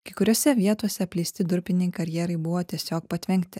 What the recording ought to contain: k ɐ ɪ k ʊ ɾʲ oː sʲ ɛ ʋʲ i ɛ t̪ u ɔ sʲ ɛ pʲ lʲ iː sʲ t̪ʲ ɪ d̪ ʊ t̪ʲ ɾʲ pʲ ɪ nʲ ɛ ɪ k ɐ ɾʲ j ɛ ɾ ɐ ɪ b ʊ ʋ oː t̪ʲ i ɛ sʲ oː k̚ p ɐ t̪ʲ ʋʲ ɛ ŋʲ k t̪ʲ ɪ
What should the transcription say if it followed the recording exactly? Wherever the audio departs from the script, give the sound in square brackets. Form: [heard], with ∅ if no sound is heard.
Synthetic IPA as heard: k ɐ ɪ k ʊ ɾʲ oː sʲ ɛ ʋʲ i ɛ t̪ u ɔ sʲ ɛ pʲ lʲ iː sʲ t̪ʲ ɪ d̪ ʊ [∅] ɾʲ pʲ ɪ nʲ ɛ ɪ k ɐ ɾʲ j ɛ ɾ ɐ ɪ b ʊ ʋ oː t̪ʲ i ɛ sʲ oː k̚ p ɐ t̪ʲ ʋʲ ɛ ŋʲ k t̪ʲ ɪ